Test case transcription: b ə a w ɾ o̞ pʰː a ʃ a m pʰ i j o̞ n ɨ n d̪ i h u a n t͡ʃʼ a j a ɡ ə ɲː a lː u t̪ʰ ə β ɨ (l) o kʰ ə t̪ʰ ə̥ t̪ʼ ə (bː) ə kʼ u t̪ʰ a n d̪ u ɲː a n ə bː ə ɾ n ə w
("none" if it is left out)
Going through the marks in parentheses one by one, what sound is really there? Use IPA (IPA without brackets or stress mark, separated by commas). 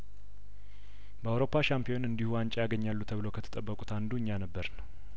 l, bː